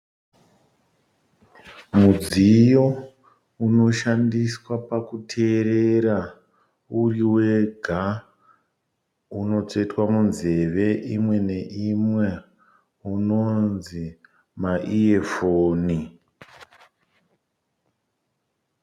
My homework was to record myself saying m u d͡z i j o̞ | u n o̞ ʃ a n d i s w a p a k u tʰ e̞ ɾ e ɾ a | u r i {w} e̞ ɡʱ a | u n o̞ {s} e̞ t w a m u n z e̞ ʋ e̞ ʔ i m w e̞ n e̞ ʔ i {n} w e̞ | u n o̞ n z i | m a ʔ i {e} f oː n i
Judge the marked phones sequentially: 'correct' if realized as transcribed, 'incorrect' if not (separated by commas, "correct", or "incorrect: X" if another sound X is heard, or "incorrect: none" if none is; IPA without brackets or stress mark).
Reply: correct, incorrect: t͡s, incorrect: m, correct